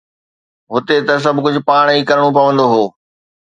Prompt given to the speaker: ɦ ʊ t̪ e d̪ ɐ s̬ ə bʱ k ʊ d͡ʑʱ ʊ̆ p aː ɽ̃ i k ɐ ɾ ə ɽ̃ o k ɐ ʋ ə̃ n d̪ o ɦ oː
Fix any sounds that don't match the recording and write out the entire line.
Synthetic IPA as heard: ɦ ʊ t̪ e t̪ ɐ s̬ ɐ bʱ k ʊ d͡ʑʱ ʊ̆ p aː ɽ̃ i k ɐ ɾ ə ɽ̃ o p ɐ ʋ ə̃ n d̪ o ɦ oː